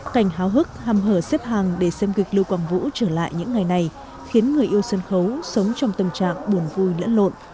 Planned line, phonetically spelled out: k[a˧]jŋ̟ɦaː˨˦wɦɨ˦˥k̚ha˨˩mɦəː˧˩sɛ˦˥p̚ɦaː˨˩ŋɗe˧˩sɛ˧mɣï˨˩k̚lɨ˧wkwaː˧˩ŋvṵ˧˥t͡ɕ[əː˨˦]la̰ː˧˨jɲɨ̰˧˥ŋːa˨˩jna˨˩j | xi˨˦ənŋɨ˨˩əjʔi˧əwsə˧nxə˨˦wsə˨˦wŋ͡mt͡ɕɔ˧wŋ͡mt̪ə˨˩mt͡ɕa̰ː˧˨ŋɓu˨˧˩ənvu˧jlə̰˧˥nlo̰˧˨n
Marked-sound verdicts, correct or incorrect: incorrect: a˧˩, incorrect: əː˧˩

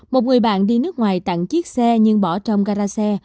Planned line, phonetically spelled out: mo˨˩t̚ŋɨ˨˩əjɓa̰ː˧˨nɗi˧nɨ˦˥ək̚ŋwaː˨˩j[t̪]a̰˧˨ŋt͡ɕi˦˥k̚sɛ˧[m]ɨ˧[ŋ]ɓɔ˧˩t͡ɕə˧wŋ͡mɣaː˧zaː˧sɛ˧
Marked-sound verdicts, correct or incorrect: correct, incorrect: ɲ, correct

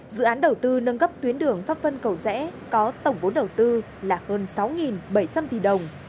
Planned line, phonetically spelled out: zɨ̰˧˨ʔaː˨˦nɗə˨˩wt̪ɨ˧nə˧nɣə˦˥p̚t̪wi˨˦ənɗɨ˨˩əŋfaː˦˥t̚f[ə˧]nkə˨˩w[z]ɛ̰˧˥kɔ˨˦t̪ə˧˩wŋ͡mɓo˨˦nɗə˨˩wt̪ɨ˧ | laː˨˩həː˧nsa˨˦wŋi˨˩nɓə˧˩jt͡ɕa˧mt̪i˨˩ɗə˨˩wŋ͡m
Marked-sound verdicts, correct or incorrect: correct, correct

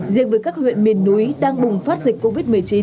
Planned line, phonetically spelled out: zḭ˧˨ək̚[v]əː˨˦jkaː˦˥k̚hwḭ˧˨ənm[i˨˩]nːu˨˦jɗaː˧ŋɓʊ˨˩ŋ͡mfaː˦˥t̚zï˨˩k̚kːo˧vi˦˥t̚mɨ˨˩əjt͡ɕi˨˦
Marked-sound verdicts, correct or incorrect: correct, correct

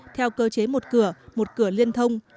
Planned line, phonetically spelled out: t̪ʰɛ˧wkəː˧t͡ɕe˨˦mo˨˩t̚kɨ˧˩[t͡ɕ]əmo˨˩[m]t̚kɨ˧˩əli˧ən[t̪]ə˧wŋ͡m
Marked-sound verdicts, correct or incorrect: incorrect: none, incorrect: none, incorrect: t̪ʰ

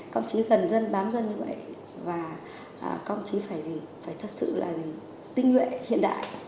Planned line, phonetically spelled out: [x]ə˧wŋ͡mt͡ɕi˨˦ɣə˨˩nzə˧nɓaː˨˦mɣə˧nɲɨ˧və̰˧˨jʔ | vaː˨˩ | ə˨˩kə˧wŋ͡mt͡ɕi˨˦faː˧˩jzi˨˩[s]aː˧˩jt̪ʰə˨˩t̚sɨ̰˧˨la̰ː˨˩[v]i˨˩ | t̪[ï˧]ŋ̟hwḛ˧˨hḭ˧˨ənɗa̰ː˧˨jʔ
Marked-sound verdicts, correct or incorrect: incorrect: k, incorrect: f, incorrect: z, correct

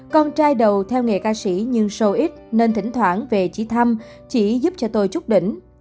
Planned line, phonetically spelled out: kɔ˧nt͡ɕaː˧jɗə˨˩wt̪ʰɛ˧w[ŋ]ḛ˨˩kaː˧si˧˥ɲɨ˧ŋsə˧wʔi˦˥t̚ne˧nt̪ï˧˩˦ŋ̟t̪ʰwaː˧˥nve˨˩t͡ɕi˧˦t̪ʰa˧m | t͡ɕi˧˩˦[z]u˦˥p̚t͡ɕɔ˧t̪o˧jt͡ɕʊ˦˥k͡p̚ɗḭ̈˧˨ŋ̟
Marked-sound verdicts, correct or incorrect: correct, correct

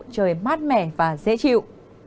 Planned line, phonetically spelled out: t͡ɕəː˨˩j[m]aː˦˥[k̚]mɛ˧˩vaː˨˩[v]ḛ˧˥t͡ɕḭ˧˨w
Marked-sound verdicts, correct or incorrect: correct, incorrect: t̚, incorrect: z

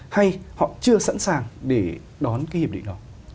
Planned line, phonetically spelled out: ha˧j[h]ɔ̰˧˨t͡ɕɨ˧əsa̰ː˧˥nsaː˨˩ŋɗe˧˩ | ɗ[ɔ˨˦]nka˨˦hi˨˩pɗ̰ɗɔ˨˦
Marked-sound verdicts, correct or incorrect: correct, correct

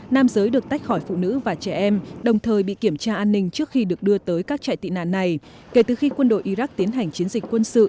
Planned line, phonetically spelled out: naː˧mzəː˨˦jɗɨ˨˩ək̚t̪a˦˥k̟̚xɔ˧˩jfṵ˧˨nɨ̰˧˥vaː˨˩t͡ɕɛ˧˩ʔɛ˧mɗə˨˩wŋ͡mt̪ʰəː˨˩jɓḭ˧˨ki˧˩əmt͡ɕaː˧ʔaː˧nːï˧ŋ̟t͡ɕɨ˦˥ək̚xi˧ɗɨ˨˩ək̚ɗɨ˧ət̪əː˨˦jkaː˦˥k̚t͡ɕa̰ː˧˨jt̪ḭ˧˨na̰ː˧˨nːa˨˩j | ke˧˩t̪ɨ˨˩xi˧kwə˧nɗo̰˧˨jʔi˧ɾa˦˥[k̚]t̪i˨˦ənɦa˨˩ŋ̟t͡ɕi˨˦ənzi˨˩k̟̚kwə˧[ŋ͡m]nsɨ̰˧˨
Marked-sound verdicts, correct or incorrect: correct, incorrect: none

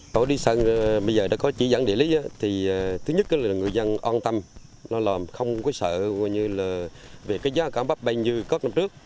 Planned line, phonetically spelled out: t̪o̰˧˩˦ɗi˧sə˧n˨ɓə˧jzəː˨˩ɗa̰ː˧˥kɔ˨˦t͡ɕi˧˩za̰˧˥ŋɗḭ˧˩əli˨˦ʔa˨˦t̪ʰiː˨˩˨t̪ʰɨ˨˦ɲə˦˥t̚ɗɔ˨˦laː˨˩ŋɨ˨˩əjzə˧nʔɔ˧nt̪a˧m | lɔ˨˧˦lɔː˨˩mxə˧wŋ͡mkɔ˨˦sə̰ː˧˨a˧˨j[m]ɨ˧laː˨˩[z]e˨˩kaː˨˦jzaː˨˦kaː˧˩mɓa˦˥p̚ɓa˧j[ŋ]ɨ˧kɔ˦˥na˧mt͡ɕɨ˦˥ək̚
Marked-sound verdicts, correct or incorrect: incorrect: ɲ, incorrect: v, incorrect: ɲ

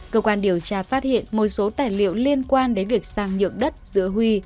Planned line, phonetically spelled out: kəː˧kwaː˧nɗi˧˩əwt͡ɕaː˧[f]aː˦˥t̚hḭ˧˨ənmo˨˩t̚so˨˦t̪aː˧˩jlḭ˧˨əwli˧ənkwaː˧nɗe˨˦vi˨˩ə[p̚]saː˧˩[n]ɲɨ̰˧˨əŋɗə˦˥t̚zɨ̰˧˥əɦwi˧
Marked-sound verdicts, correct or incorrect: correct, incorrect: k̚, incorrect: ŋ

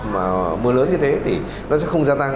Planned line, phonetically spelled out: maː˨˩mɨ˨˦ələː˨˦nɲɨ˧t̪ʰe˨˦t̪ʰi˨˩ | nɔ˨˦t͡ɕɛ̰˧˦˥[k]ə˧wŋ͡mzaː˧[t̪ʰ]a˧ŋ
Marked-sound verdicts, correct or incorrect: incorrect: x, incorrect: t̪

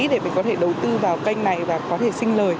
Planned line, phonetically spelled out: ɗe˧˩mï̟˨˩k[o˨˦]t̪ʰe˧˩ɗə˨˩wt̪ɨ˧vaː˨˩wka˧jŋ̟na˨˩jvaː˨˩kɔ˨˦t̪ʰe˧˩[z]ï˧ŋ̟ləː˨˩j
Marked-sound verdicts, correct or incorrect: incorrect: ɔ˨˦, incorrect: s

